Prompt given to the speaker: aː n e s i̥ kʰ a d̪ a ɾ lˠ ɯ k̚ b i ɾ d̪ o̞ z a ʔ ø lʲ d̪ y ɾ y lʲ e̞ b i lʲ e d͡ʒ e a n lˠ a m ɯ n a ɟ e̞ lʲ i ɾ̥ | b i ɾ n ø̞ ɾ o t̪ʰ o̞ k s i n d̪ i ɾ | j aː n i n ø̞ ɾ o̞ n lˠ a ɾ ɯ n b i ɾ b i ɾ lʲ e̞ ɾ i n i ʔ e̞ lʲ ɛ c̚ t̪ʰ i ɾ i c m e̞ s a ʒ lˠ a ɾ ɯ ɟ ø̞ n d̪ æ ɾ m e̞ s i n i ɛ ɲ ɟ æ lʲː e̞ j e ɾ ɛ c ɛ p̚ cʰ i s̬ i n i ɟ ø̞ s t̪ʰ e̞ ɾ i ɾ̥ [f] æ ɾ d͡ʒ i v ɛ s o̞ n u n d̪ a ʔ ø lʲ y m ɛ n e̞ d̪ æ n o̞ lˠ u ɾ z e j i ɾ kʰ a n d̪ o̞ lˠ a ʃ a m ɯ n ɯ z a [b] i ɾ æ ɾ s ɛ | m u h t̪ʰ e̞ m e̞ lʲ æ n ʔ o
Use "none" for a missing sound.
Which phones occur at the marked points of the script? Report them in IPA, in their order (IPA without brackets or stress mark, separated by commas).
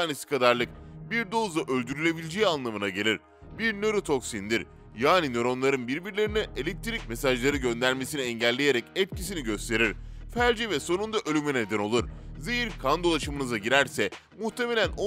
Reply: f, ɟ